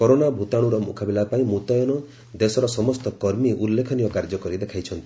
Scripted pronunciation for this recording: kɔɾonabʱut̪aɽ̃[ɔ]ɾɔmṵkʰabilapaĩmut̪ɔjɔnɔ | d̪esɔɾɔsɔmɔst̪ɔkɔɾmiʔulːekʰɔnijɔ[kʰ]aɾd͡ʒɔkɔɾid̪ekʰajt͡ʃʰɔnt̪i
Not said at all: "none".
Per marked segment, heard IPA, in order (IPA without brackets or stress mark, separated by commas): u, k